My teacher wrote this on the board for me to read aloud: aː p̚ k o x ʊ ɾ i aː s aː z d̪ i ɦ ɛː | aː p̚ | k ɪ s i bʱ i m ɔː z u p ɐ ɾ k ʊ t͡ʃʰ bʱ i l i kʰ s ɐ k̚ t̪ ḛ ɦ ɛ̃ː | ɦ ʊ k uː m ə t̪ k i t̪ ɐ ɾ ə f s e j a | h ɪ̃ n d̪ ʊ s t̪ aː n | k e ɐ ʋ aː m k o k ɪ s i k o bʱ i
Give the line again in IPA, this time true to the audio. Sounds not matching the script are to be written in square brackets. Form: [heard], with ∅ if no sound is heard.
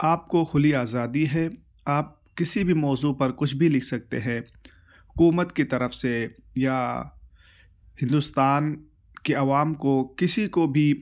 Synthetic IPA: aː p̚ k o x ʊ [l] i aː [z] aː [∅] d̪ i ɦ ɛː | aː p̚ | k ɪ s i bʱ i m ɔː z u p ɐ ɾ k ʊ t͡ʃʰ bʱ i l [ɪ] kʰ s ɐ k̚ t̪ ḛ ɦ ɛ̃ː | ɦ ʊ k uː m ə t̪ k i t̪ ɐ ɾ ə f s e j a | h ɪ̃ n d̪ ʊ s t̪ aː n | k e ɐ ʋ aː m k o k ɪ s i k o bʱ i